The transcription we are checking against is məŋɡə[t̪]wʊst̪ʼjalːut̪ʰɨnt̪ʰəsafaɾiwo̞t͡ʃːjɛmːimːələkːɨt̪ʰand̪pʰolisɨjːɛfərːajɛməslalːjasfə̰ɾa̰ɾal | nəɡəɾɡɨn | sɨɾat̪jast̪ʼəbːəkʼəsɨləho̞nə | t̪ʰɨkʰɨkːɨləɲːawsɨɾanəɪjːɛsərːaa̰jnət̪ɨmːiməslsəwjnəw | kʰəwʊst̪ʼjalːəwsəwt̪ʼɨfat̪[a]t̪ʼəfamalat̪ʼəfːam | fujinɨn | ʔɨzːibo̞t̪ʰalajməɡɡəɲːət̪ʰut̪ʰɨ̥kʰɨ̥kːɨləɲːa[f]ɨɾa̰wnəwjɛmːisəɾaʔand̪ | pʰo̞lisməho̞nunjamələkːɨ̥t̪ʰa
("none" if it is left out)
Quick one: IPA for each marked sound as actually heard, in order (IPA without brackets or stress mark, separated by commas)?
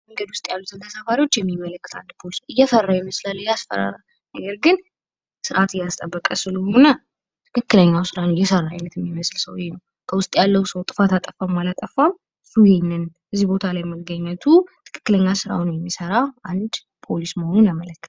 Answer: d̪, a, s